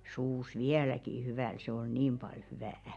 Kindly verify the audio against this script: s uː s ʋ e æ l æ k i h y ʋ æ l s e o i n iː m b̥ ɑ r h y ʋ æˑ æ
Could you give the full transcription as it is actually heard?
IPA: s uː s ʋ i æ l æ k i h y ʋ æ l s e o i n iː m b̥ ɑ l h y ʋ æˑ æ